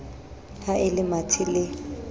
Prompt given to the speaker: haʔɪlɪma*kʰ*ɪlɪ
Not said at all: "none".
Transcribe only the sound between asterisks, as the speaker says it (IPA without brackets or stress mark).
tʰ